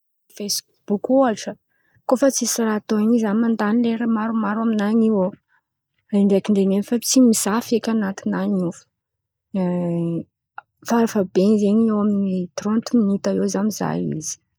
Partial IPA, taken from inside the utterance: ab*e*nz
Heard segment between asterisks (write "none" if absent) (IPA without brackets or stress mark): e